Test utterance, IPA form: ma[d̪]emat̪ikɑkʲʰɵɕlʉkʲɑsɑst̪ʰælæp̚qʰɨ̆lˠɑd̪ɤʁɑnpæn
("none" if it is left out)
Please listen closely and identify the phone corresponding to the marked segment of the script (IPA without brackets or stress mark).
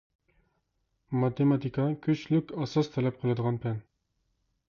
t̪